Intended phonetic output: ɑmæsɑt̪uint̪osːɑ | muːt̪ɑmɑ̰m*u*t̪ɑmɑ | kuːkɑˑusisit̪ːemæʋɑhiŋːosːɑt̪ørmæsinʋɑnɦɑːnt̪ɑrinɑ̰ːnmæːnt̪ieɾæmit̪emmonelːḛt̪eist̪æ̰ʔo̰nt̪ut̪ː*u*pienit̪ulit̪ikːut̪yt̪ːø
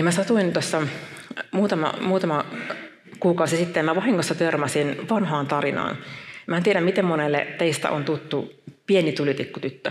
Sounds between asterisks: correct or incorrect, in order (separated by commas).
incorrect, correct